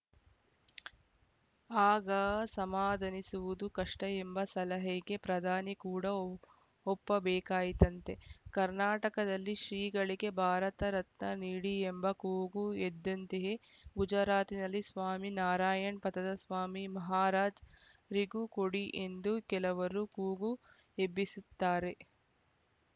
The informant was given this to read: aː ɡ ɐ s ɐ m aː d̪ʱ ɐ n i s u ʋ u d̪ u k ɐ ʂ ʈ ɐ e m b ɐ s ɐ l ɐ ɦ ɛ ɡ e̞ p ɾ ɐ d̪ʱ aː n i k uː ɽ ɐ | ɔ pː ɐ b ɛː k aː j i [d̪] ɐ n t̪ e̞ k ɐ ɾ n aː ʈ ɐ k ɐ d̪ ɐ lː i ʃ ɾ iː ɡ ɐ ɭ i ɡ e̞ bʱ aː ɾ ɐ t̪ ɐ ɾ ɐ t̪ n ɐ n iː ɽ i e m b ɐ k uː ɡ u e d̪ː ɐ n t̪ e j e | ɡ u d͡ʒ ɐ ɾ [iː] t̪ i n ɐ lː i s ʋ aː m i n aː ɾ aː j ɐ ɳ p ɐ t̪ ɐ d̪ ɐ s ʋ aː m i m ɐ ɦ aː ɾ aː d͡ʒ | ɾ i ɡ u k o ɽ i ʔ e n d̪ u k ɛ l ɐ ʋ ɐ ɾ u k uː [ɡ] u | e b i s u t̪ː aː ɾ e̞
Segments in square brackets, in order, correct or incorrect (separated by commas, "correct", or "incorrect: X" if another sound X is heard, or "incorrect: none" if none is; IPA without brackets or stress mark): incorrect: t̪, incorrect: aː, correct